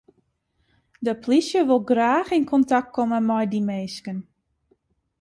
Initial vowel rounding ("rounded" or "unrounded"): unrounded